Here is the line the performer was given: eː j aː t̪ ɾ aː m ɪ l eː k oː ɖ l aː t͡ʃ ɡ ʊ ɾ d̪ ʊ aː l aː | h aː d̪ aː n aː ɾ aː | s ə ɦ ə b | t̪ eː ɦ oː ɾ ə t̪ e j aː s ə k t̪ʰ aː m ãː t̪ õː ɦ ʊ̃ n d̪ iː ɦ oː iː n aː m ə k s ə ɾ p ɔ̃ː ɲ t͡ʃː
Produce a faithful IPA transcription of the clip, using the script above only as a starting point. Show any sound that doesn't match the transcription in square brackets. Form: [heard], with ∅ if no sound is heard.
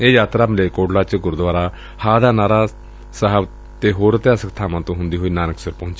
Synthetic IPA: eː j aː t̪ ɾ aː m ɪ l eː k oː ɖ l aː t͡ʃ ɡ ʊ ɾ d̪ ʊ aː [ɾ] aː | h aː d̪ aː n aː ɾ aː | s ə ɦ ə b | t̪ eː ɦ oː ɾ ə t̪ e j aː s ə k t̪ʰ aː m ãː t̪ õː ɦ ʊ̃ n d̪ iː ɦ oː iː n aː [n] ə k s ə ɾ p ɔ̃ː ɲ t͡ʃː